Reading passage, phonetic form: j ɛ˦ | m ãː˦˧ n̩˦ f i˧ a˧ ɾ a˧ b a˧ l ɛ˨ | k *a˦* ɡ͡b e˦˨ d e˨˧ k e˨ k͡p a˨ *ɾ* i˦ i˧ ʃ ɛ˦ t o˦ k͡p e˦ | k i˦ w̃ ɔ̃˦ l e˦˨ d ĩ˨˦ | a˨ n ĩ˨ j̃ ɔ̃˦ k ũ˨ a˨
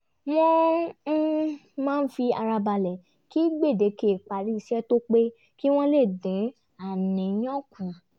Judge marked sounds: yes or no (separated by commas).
no, yes